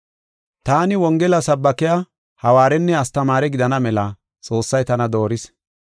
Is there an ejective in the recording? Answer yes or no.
yes